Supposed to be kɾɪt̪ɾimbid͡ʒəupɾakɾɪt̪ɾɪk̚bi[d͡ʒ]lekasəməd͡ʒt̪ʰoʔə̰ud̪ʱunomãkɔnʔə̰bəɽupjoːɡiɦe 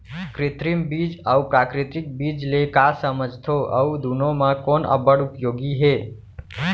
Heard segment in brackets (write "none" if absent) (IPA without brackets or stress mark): d͡ʒ